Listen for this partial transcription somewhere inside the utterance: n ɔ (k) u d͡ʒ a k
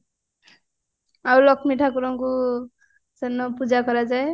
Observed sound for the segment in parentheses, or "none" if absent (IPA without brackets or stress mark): p